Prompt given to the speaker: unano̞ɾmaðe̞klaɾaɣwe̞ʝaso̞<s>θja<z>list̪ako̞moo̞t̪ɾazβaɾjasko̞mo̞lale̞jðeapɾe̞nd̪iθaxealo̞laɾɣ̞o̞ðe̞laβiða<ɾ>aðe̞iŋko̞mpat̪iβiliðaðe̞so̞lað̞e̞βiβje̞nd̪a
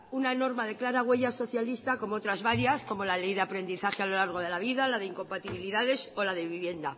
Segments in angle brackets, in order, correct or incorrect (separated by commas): incorrect, incorrect, incorrect